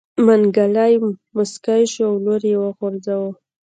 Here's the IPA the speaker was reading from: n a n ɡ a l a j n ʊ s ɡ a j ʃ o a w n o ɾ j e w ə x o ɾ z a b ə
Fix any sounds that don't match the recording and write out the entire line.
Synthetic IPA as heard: m a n ɡ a l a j m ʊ s k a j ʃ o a w n o ɾ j e w ə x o ɾ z a w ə